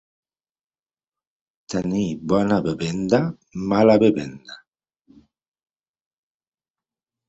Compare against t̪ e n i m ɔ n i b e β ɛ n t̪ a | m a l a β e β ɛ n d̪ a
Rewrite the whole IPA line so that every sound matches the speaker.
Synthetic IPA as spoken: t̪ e n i b ɔ n a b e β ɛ n d̪ a | m a l a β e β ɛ n d̪ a